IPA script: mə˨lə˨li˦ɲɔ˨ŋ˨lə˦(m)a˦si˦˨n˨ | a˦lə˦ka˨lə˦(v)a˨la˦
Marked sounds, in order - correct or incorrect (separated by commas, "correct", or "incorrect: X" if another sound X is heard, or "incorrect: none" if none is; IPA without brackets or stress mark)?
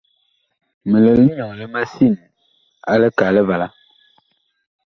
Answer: correct, correct